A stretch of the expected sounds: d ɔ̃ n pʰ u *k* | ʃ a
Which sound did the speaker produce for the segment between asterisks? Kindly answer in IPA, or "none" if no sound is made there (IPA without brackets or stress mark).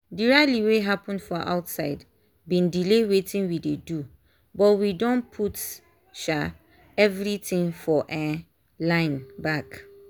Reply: t